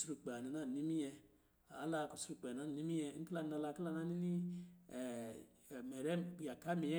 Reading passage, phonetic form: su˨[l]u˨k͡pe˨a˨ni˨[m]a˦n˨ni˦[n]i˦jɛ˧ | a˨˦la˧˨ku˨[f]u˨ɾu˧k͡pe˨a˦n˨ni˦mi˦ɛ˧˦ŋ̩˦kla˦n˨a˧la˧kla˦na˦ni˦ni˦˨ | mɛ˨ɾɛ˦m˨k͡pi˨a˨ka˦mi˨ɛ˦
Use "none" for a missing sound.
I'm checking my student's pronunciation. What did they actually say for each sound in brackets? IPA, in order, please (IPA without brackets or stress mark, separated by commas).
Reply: ɾ, n, m, s